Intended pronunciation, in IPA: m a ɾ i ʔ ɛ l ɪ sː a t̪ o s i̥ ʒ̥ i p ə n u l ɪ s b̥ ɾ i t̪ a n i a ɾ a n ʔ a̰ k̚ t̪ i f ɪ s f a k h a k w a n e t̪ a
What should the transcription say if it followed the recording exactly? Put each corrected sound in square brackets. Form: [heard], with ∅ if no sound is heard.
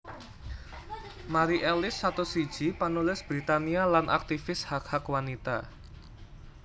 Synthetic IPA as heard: m a ɾ i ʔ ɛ l ɪ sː a t̪ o s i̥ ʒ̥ i p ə n u l ɪ s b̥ ɾ i t̪ a n i a [l] a n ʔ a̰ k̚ t̪ i f ɪ s [h] a k h a k w a n [i] t̪ a